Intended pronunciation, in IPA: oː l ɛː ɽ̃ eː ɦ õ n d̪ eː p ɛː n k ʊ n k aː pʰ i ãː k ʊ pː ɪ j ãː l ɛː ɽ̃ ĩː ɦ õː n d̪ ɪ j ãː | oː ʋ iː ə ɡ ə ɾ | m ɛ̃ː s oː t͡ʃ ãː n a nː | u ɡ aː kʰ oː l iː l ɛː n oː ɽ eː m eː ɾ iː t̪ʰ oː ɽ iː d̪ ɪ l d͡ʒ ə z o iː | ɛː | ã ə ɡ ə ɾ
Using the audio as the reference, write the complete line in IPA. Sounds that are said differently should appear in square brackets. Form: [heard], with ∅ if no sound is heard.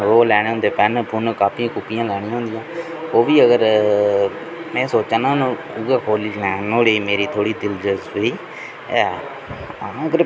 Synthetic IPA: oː l ɛː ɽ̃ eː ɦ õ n d̪ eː p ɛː n [p] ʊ n k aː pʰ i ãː k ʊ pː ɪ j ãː l ɛː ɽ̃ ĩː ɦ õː n d̪ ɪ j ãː | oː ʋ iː ə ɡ ə ɾ | m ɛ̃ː s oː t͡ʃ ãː n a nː | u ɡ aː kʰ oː l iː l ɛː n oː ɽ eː m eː ɾ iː t̪ʰ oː ɽ iː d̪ ɪ l d͡ʒ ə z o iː | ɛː | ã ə ɡ ə ɾ